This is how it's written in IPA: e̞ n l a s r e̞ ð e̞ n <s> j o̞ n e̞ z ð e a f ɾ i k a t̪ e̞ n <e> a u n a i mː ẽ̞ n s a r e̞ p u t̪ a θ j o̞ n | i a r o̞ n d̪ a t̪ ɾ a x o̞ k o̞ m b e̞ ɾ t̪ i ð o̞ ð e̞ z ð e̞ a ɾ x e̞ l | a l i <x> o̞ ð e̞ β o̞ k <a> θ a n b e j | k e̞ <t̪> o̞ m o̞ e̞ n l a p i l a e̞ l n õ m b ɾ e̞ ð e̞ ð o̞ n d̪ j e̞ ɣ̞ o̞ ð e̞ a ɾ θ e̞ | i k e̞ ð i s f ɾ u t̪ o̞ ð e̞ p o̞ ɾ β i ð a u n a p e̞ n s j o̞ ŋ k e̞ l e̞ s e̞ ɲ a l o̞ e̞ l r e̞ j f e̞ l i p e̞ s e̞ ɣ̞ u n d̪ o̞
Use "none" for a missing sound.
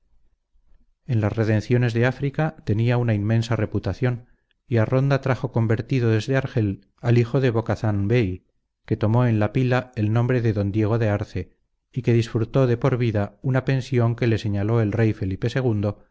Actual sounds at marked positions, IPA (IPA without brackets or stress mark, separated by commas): θ, i, x, a, t̪